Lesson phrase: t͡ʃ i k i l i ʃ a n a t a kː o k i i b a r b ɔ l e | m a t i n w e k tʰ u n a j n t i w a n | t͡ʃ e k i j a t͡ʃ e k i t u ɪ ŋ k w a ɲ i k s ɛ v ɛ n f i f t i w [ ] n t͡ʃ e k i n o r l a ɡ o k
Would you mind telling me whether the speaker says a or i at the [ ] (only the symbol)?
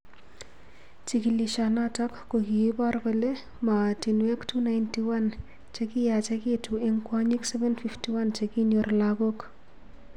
a